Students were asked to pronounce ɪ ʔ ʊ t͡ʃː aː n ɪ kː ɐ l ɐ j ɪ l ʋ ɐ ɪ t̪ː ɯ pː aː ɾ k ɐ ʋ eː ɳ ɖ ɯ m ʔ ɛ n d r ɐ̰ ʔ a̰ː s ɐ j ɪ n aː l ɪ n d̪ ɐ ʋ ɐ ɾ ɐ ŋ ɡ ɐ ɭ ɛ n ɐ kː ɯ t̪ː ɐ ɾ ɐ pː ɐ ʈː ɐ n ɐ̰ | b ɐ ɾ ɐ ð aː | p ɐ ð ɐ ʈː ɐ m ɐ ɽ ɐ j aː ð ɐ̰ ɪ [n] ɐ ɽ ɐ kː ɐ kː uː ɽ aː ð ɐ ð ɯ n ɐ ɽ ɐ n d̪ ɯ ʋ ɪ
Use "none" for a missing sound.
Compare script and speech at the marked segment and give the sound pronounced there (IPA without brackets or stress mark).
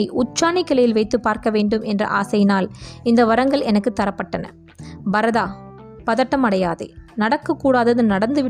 n